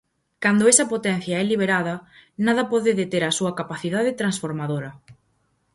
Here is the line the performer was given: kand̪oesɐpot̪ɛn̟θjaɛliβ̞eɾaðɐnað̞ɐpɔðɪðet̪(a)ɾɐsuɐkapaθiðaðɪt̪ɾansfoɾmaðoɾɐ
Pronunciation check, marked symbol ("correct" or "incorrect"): incorrect